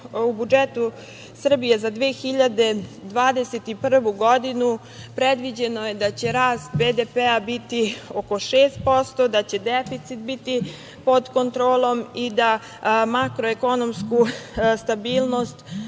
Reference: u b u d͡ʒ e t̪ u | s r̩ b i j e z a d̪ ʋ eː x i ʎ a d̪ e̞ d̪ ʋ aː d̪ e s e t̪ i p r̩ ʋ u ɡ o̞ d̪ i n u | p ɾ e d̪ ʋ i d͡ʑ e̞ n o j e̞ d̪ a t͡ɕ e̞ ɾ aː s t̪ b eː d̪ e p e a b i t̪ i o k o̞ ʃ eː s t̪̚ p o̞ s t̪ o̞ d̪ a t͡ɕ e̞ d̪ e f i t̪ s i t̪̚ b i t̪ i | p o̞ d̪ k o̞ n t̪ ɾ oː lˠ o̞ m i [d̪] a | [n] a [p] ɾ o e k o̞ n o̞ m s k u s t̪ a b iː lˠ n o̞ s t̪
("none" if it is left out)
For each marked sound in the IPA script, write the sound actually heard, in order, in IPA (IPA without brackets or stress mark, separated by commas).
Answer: d̪, m, k